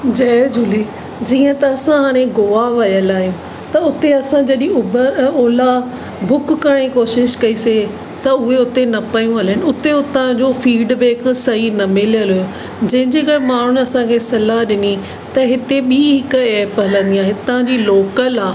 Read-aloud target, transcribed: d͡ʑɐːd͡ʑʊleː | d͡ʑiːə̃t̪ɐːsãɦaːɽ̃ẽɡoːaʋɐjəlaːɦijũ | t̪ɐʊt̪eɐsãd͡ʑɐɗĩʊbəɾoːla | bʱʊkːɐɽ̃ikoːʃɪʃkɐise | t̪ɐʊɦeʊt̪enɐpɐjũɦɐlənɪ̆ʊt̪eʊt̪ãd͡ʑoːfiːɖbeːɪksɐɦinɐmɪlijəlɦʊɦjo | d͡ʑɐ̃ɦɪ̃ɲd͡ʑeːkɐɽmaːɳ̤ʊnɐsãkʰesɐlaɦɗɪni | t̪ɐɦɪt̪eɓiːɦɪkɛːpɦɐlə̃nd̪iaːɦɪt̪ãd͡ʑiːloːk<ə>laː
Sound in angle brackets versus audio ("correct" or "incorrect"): correct